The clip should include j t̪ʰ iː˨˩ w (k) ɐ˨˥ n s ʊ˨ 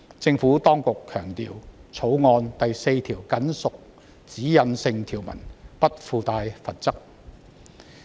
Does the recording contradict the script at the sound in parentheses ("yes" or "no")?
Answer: no